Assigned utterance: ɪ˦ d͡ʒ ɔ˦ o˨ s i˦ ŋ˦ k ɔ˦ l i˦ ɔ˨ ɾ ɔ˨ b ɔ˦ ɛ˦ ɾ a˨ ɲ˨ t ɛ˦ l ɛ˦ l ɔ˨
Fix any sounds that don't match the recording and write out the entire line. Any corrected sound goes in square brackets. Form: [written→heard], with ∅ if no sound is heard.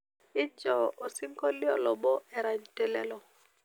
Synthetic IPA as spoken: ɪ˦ d͡ʒ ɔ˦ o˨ s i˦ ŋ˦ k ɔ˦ l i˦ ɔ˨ [ɾ→l] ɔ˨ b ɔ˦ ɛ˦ ɾ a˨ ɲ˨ t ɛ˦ l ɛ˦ l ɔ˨